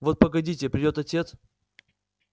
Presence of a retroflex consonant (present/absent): absent